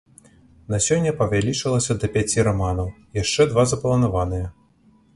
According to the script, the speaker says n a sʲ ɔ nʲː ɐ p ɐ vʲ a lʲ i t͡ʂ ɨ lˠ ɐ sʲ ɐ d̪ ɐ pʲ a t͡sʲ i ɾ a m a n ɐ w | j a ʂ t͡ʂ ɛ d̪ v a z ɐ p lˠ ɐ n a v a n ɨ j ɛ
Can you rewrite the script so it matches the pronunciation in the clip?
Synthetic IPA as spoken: n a sʲ ɔ nʲː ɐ p ɐ vʲ a lʲ i t͡ʂ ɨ lˠ ɐ sʲ ɐ d̪ ɐ pʲ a t͡sʲ i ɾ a m a n ɐ w | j a ʂ t͡ʂ ɛ d̪ v a z ɐ p lˠ ɐ n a v a n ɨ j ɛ

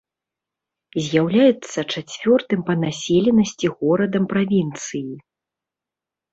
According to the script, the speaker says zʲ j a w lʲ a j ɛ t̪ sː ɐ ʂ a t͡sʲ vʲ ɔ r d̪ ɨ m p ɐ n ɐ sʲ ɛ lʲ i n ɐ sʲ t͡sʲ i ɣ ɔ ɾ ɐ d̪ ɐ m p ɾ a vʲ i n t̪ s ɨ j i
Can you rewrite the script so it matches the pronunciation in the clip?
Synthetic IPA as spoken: zʲ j a w lʲ a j ɛ t̪ sː ɐ t͡ʂ a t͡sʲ vʲ ɔ r t̪ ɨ m p ɐ n a sʲ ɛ lʲ ɛ n ɐ sʲ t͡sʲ i ɣ ɔ ɾ ɐ d̪ ɐ m p ɾ a vʲ i n t̪ s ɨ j i

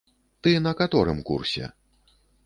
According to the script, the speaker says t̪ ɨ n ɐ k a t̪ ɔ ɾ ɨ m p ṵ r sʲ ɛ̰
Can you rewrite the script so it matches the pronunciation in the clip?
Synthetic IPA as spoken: t̪ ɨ n ɐ k a t̪ ɔ ɾ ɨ m k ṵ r sʲ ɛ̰

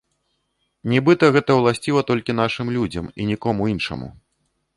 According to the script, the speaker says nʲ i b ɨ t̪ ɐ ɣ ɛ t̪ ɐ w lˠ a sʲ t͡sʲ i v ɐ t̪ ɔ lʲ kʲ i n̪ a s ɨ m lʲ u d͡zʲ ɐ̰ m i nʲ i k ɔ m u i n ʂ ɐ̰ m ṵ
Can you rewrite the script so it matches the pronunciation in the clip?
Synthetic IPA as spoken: nʲ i b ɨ t̪ ɐ ɣ ɛ t̪ ɐ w lˠ a sʲ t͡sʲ i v ɐ t̪ ɔ lʲ kʲ i n̪ a ʂ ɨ m lʲ u d͡zʲ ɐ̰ m i nʲ i k ɔ m u i n ʂ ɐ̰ m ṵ

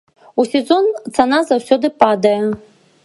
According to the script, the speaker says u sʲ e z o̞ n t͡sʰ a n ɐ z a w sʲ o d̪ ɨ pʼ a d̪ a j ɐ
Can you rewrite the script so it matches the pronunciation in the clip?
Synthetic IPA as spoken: u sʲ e z o̞ n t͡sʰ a n a z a w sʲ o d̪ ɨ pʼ a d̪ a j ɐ

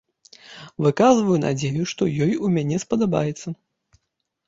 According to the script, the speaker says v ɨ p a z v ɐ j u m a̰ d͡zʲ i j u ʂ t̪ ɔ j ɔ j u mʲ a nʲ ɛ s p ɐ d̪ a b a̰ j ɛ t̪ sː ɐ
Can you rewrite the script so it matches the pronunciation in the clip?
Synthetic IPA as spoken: v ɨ k a z v ɐ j u n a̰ d͡zʲ e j u ʂ t̪ ɔ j ɔ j u mʲ a nʲ ɛ s p ɐ d̪ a b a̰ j ɛ t̪ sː ɐ

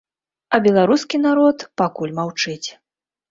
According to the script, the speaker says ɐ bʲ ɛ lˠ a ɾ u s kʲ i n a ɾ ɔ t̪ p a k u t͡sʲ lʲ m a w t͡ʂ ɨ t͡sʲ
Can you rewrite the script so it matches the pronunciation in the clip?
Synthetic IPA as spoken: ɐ bʲ ɛ lˠ a ɾ u s kʲ i n a ɾ ɔ t̪ p a k u lʲ m a w t͡ʂ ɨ t͡sʲ

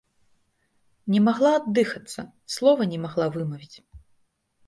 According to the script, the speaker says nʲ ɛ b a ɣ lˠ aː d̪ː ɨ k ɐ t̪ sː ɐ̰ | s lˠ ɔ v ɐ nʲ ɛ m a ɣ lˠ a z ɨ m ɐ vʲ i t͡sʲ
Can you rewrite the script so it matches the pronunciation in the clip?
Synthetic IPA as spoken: nʲ ɛ m a ɣ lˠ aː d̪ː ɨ x ɐ t̪ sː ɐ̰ | s lˠ ɔ v ɐ nʲ ɛ m a ɣ lˠ a v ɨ m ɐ vʲ i t͡sʲ

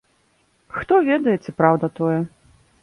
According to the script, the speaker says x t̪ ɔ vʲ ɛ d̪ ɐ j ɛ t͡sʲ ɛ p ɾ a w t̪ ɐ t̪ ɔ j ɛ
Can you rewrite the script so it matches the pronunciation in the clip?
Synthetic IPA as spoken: x t̪ ɔ vʲ ɛ d̪ ɐ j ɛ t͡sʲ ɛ p ɾ a w d̪ ɐ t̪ ɔ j ɛ

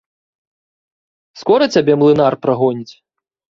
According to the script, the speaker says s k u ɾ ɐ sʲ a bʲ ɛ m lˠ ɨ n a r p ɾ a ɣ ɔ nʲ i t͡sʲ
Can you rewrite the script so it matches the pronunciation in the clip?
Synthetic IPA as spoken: s k ɔ ɾ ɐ t͡sʲ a bʲ ɛ m lˠ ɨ n a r p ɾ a ɣ ɔ nʲ i t͡sʲ

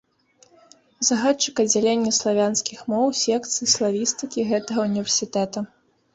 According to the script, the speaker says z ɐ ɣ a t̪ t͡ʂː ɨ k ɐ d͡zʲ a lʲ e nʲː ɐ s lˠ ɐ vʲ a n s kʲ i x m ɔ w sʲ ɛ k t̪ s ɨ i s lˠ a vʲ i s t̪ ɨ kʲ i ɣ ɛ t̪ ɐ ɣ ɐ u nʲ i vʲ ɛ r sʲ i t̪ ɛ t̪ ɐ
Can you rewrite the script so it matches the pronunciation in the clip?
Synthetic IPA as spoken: z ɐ ɣ a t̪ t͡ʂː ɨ k ɐ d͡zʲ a lʲ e nʲː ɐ s lˠ a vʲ a n s kʲ i x m ɔ w sʲ ɛ k t̪ s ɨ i s lˠ a vʲ i s t̪ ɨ kʲ i ɣ ɛ t̪ ɐ ɣ ɐ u nʲ i vʲ ɛ r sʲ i t̪ ɛ t̪ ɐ

